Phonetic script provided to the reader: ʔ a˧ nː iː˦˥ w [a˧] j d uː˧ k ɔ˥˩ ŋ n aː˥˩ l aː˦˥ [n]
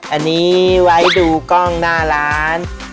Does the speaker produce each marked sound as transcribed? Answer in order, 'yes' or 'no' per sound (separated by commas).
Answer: no, yes